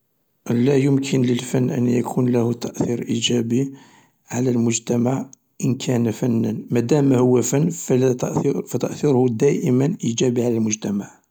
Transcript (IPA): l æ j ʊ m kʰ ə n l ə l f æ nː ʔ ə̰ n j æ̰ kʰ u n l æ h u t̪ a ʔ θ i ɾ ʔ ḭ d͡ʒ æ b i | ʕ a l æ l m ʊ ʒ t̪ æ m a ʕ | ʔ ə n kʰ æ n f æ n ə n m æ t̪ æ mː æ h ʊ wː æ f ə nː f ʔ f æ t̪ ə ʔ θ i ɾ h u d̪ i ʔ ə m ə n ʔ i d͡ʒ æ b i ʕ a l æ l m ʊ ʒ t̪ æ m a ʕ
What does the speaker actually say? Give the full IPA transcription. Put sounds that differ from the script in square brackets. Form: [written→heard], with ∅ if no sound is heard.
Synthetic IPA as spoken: l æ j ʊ m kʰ ə n l ə l f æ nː ʔ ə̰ n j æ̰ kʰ u n l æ h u t̪ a ʔ θ i ɾ ʔ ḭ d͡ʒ æ b i | ʕ a l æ l m ʊ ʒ t̪ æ m a ʕ | ʔ ə n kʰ æ n f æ [n→nː] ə n m æ [t̪→d̪] æ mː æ h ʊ wː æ f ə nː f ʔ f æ t̪ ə ʔ θ i ɾ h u d̪ [i→æ] ʔ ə m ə n ʔ i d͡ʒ æ b i ʕ a l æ l m ʊ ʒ t̪ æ m a ʕ